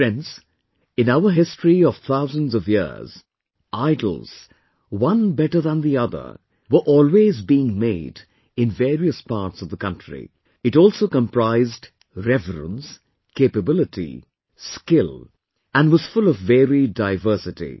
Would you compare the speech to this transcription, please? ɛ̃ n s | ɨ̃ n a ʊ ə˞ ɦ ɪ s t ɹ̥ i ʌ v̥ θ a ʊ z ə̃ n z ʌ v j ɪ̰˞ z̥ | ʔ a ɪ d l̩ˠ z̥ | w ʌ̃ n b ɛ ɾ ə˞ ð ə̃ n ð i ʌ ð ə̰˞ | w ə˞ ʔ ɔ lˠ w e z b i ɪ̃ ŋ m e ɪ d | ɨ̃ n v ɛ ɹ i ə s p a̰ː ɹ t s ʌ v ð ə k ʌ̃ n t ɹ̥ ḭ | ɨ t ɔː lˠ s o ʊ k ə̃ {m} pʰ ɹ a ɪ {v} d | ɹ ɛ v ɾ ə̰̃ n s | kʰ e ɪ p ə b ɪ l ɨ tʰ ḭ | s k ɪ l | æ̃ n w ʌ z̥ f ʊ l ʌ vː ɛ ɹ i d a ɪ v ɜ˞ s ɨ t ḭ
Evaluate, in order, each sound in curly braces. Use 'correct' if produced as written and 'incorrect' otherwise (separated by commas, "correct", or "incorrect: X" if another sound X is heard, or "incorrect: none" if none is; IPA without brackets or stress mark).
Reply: correct, incorrect: z